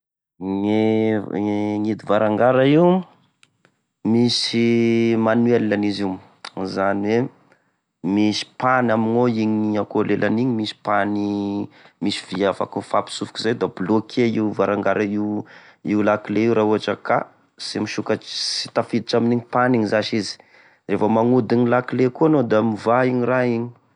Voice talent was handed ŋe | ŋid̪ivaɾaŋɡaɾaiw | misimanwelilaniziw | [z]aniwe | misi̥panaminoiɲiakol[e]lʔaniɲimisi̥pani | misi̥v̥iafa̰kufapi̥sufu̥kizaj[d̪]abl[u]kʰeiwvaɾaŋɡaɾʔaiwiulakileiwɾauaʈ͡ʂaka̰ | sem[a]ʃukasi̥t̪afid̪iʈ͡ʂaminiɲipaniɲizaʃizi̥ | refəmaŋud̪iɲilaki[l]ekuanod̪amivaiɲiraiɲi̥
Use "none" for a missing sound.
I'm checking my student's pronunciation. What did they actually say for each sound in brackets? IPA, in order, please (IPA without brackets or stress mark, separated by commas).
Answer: z, e, d̪, o, i, l